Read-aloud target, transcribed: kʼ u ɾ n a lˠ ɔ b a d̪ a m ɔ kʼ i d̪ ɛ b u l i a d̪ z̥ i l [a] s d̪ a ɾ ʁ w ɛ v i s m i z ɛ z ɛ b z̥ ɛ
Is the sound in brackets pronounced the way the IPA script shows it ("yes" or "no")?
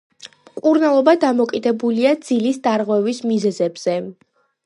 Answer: no